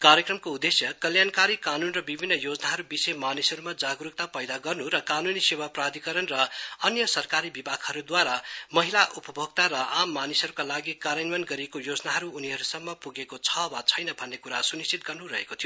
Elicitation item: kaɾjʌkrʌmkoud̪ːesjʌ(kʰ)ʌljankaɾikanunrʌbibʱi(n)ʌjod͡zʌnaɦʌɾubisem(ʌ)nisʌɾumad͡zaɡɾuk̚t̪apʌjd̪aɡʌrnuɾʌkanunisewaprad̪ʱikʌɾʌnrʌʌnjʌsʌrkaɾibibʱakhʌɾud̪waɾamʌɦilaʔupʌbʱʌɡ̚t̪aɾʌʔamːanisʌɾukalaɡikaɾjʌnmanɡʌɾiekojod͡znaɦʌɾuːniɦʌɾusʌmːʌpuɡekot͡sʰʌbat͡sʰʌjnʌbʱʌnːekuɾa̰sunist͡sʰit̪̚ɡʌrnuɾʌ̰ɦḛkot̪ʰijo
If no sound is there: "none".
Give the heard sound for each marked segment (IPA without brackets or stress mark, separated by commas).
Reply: k, nː, a